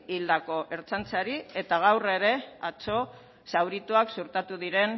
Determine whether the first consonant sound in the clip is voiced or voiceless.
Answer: voiced